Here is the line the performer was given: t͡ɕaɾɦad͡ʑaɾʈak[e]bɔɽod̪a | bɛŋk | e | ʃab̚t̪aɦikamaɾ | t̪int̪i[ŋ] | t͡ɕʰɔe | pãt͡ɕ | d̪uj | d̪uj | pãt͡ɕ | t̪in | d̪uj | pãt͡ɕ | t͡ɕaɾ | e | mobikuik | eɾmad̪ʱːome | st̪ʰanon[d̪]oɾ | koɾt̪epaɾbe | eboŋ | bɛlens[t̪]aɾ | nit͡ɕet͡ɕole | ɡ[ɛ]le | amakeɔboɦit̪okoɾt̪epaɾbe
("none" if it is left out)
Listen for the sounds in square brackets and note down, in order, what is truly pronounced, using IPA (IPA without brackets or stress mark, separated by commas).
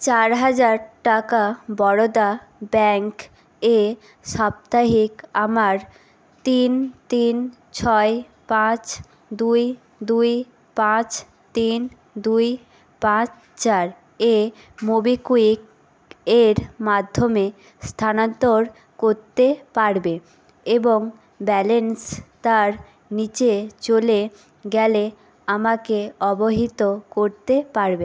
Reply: a, n, t̪, t̪, ɛ